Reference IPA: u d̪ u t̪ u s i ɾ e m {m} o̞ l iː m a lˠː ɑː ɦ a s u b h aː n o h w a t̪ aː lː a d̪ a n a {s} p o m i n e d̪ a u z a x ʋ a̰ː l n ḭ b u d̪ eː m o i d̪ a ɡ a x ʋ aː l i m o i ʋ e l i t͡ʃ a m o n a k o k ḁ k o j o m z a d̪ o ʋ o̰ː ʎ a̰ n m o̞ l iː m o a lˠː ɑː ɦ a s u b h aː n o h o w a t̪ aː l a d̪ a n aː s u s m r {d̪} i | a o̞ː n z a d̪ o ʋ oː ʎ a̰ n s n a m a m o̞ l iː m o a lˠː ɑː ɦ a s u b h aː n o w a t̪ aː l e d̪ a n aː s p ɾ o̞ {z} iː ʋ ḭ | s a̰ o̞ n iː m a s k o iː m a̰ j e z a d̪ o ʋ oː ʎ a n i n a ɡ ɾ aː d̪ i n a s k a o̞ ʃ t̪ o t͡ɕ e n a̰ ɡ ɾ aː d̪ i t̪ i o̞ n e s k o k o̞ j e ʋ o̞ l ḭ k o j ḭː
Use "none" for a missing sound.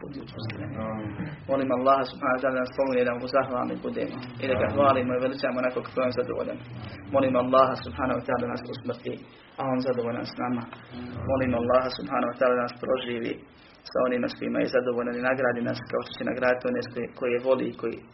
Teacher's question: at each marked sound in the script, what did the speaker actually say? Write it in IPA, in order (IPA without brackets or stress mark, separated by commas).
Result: m, s, t̪, ʒ